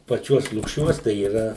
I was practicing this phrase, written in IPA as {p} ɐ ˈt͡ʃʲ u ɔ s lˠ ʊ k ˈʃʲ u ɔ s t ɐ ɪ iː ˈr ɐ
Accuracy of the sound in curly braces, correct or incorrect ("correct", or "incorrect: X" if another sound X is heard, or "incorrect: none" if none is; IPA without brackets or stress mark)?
correct